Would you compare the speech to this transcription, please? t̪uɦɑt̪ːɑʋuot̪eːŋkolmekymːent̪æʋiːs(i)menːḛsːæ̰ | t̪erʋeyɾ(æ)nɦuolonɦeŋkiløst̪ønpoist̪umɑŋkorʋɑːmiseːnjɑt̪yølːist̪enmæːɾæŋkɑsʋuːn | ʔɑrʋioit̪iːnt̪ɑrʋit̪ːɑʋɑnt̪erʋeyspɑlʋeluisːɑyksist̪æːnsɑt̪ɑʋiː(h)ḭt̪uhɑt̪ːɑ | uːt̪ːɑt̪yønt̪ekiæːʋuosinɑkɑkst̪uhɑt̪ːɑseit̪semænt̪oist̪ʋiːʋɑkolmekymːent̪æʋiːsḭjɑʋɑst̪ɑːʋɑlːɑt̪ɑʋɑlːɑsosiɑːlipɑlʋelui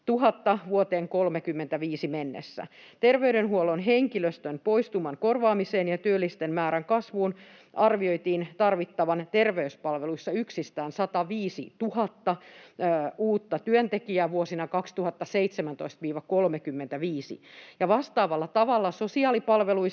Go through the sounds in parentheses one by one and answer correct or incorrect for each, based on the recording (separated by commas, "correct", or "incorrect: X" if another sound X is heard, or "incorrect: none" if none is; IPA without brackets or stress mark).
correct, incorrect: e, incorrect: s